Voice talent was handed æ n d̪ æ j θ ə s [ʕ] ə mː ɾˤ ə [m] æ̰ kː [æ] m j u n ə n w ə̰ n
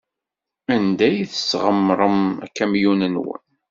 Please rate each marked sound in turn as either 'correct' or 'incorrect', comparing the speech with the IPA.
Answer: incorrect: ʁ, correct, correct

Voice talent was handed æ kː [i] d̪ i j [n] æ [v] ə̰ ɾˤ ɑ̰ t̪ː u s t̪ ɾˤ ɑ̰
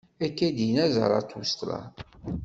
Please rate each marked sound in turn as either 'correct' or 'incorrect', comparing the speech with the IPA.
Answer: incorrect: æ, correct, incorrect: z

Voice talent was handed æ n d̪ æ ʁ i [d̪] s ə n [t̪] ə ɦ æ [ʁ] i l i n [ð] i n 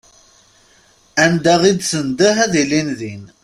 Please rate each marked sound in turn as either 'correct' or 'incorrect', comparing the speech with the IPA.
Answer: correct, incorrect: d̪, incorrect: ð, correct

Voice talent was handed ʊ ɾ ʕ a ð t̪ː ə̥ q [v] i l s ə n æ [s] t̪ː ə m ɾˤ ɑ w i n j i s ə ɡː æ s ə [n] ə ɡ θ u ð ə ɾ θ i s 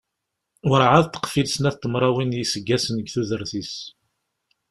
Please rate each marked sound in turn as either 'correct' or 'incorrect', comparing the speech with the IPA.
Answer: incorrect: f, incorrect: θ, correct

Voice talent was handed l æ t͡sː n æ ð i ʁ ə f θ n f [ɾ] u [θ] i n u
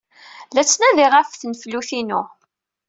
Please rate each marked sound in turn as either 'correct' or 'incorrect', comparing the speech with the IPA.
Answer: incorrect: l, correct

